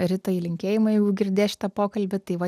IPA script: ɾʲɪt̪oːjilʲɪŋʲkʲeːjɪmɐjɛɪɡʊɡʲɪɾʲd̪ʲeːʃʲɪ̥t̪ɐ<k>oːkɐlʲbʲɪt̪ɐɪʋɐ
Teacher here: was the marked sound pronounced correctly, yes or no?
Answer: no